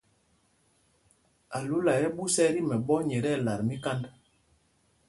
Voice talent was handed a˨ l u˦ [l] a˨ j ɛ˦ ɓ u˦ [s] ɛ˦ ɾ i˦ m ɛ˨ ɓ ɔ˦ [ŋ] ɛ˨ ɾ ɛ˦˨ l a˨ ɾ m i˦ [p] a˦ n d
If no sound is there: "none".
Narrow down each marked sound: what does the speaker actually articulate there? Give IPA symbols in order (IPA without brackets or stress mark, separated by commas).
l, s, ɲ, k